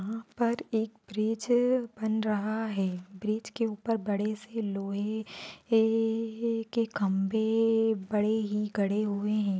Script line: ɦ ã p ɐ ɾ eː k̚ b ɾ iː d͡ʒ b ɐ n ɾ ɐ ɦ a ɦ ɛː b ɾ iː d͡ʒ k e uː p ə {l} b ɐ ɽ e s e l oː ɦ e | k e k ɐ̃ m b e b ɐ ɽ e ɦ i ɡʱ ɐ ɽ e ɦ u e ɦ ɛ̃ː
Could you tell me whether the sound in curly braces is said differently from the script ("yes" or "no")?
yes